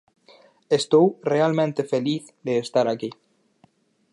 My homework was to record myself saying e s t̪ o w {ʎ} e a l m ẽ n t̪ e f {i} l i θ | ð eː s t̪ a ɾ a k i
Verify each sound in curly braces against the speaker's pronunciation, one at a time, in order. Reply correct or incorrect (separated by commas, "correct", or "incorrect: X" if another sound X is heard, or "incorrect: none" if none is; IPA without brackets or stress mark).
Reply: incorrect: r, incorrect: e